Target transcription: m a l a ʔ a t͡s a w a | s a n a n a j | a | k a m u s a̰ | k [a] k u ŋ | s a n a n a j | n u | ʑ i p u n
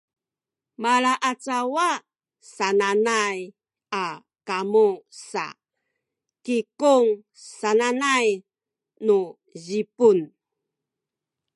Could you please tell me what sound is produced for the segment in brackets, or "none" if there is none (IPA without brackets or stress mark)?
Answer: i